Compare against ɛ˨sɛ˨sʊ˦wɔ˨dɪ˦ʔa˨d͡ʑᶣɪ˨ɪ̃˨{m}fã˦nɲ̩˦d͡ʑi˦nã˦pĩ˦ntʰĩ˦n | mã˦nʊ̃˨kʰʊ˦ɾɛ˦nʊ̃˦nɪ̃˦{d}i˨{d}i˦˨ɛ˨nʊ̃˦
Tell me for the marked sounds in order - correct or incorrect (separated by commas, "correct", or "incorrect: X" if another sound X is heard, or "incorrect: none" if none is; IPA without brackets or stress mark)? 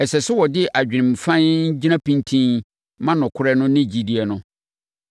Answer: correct, incorrect: d͡ʑ, correct